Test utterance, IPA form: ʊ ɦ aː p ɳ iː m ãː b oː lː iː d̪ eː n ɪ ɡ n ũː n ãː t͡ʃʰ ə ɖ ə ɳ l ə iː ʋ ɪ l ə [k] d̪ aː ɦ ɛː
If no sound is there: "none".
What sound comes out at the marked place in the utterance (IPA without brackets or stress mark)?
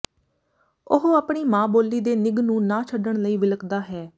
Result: k